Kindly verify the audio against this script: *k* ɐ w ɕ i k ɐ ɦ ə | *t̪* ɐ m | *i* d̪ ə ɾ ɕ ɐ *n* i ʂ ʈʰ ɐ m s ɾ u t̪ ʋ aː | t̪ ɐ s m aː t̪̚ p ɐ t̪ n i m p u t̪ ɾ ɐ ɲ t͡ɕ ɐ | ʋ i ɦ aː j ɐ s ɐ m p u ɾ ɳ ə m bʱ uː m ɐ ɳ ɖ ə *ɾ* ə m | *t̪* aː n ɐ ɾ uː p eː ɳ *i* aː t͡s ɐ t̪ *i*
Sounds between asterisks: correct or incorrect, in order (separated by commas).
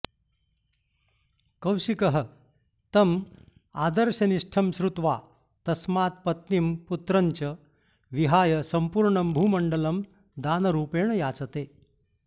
correct, correct, incorrect, correct, incorrect, incorrect, incorrect, incorrect